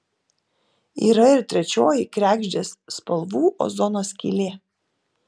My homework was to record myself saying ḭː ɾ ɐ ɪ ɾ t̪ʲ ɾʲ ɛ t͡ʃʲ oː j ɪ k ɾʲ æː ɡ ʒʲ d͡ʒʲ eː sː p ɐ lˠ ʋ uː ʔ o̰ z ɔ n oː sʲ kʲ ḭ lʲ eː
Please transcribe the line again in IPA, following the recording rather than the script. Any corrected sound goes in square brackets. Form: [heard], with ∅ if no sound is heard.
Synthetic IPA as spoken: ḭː ɾ ɐ ɪ ɾ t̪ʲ ɾʲ ɛ t͡ʃʲ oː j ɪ k ɾʲ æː ɡ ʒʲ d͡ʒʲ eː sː p ɐ lˠ ʋ uː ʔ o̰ z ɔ n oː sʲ kʲ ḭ lʲ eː